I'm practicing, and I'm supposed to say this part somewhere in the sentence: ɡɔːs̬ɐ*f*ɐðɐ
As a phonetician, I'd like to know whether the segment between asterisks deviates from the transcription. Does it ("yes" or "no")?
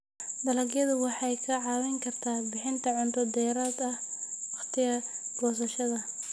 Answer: yes